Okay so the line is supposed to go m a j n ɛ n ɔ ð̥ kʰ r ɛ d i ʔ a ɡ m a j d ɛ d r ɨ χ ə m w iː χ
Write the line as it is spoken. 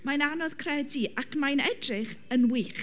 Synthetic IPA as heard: m a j n a n ɔ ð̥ kʰ r ɛ d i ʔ a k m a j n ɛ d r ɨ χ ə n w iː χ